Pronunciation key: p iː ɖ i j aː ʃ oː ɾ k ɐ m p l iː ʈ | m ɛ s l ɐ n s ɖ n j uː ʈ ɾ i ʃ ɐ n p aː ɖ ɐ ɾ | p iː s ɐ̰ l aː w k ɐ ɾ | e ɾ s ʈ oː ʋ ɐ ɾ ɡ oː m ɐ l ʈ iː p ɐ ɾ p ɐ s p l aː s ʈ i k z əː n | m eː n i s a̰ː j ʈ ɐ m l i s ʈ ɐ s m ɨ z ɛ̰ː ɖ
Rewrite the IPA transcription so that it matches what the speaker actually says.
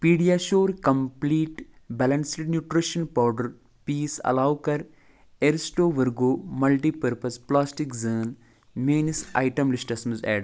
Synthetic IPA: p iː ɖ i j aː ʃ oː ɾ k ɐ m p l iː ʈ | b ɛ l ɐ n s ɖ n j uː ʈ ɾ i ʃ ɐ n p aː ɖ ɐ ɾ | p iː s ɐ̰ l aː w k ɐ ɾ | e ɾ s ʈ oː ʋ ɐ ɾ ɡ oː m ɐ l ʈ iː p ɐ ɾ p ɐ s p l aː s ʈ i k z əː n | m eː n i s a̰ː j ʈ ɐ m l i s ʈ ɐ s m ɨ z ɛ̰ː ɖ

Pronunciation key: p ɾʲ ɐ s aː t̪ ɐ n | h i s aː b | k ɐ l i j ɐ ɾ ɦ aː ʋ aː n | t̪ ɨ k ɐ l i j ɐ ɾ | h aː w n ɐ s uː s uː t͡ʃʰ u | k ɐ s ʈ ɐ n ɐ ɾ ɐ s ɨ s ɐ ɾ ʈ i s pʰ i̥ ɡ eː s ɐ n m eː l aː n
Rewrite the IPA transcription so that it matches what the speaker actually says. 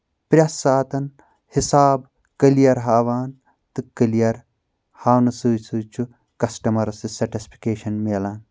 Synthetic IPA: p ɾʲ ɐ s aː t̪ ɐ n | h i s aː b | k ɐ l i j ɐ ɾ ɦ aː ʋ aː n | t̪ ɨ k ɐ l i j ɐ ɾ | h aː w n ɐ s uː s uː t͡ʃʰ u | k ɐ s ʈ ɐ m ɐ ɾ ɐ s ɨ s ɐ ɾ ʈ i s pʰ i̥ k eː ʃ ɐ n m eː l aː n

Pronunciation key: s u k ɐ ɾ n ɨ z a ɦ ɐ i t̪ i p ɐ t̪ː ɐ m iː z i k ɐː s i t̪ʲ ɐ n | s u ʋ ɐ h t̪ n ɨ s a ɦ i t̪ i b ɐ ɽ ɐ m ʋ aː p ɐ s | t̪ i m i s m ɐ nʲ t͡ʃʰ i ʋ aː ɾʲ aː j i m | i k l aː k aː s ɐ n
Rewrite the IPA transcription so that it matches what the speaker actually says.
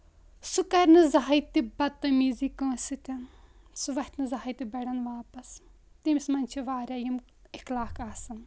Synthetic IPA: s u k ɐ ɾ n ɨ z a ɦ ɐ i t̪ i b ɐ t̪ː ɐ m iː z i k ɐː s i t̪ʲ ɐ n | s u ʋ ɐ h t̪ n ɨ z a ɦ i t̪ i b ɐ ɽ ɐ n ʋ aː p ɐ s | t̪ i m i s m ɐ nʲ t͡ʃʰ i ʋ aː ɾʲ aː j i m | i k l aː k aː s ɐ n

